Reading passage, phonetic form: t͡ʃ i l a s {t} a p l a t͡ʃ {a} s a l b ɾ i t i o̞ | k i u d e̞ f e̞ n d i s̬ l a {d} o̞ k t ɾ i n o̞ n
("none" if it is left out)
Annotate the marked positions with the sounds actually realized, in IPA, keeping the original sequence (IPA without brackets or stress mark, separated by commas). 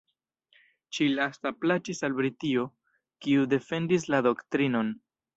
t, i, d